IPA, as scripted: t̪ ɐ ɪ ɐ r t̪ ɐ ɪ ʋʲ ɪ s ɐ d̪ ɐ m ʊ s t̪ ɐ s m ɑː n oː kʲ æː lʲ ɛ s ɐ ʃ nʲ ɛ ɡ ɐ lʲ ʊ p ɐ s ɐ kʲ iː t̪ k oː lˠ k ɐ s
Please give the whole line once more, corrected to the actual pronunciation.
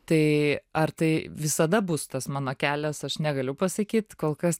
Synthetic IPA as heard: t̪ ɐ ɪ ɐ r t̪ ɐ ɪ ʋʲ ɪ s ɐ d̪ ɐ b ʊ s t̪ ɐ s m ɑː n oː kʲ æː lʲ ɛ s ɐ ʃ nʲ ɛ ɡ ɐ lʲ ʊ p ɐ s ɐ kʲ iː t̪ k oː lˠ k ɐ s